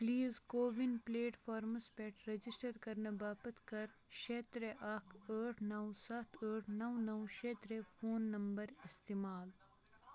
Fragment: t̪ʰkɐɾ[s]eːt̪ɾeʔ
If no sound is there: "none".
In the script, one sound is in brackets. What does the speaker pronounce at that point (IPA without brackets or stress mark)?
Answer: ʃ